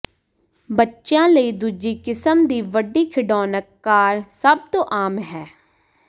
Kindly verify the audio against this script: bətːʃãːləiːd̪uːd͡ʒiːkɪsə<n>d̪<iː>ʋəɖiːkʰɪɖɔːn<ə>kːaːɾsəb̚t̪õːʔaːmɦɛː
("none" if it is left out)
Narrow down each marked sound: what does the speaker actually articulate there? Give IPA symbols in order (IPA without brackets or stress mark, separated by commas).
m, iː, ə